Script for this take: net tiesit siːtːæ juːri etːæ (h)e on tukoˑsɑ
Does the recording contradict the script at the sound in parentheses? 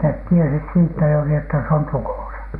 yes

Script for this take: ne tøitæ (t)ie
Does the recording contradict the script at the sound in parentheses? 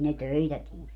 no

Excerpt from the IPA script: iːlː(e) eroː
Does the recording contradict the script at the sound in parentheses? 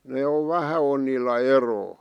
yes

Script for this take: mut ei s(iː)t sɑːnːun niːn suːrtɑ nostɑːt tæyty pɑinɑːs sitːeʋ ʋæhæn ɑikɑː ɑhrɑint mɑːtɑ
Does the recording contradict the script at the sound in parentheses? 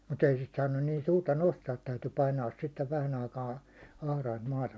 yes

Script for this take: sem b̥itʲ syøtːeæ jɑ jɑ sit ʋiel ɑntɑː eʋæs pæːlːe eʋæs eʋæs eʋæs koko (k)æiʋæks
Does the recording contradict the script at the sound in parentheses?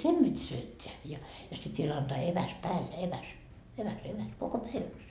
yes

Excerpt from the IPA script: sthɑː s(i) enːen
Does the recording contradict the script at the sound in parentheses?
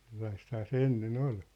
yes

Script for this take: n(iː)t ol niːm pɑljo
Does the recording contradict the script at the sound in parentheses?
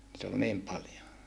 yes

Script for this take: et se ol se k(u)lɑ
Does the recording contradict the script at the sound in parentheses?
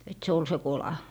yes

